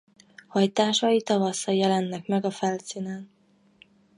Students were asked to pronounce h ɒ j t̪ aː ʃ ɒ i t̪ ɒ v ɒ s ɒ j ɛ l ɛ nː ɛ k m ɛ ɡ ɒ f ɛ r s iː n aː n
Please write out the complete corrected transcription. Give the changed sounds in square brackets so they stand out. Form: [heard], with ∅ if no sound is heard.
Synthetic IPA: h ɒ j t̪ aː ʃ ɒ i t̪ ɒ v ɒ s ɒ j ɛ l ɛ nː ɛ k m ɛ ɡ ɒ f ɛ [l] s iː n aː n